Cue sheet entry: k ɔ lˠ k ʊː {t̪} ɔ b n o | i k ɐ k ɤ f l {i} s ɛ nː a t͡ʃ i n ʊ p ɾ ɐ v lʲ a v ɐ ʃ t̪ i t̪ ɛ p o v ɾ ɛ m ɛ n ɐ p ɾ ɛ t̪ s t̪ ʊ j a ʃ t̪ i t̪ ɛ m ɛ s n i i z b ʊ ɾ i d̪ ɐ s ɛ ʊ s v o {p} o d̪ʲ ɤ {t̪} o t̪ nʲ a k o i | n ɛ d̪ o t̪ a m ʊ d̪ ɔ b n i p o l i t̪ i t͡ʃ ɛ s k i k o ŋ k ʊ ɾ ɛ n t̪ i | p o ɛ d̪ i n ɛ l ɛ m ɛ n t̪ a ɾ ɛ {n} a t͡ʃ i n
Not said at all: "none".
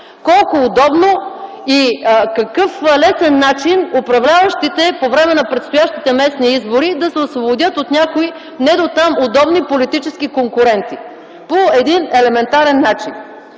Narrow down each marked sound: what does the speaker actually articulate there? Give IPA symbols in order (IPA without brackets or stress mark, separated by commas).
d̪, ɛ, b, t̪, nː